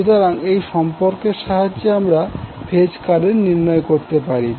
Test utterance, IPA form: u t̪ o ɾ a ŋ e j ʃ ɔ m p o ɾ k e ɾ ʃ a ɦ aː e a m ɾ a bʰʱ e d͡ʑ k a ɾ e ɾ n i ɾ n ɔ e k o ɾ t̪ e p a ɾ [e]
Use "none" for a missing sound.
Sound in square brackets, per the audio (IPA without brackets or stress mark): i